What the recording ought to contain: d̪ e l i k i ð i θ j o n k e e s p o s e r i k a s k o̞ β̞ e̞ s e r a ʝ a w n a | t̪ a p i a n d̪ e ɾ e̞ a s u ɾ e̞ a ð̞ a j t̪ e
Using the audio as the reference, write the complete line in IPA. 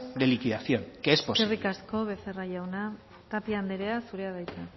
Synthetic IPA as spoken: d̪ e l i k i ð a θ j o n k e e s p o s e r i k a s k o̞ β̞ e̞ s e r a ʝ a w n a | t̪ a p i a n d̪ e ɾ e̞ a s u ɾ e̞ a ð̞ a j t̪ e